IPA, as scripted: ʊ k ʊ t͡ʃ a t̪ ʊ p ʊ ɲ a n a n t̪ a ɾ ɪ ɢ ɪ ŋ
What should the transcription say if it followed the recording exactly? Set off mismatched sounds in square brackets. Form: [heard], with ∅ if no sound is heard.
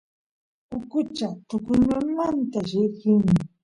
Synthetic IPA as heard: ʊ k ʊ t͡ʃ a t̪ ʊ [k] ʊ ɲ a [m] a n t̪ a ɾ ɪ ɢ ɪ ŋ

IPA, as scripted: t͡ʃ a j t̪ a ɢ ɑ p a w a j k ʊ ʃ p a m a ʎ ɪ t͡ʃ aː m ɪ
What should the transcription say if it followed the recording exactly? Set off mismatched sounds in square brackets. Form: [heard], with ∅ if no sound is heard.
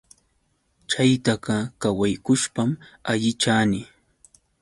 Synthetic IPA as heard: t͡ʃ a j t̪ a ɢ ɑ [k] a w a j k ʊ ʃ p a m a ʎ ɪ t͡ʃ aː [n] ɪ

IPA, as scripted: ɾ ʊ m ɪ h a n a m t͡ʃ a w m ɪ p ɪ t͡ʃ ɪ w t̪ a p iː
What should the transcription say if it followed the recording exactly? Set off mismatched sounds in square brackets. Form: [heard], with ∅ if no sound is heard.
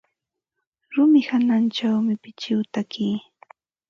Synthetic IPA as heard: ɾ ʊ m ɪ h a n a [n] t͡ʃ a w m ɪ p ɪ t͡ʃ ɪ w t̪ a [k] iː

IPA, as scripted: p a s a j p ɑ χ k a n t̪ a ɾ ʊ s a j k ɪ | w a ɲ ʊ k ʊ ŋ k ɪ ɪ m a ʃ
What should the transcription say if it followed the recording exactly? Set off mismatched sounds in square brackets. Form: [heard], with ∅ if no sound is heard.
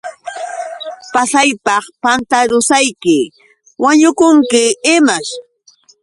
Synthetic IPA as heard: p a s a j p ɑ χ [p] a n t̪ a ɾ ʊ s a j k ɪ | w a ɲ ʊ k ʊ ŋ k ɪ ɪ m a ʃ

